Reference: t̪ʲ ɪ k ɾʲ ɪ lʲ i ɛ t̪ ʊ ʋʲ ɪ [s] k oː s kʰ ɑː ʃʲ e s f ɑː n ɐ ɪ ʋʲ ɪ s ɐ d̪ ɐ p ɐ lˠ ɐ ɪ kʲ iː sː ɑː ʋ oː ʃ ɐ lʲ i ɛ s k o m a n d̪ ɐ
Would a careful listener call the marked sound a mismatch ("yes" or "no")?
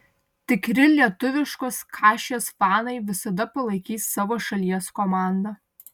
yes